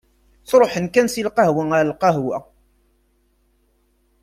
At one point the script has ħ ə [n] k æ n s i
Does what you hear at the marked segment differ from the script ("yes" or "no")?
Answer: no